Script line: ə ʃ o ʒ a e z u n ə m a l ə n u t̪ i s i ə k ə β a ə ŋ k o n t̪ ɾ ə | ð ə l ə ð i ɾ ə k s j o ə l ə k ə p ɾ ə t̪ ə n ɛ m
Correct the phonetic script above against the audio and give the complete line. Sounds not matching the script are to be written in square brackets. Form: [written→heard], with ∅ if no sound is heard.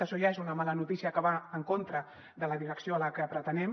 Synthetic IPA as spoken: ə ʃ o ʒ a e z u n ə m a l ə n u t̪ i s i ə k ə β a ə ŋ k o n t̪ ɾ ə | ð ə l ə ð i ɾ ə k s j o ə l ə k ə p ɾ ə t̪ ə n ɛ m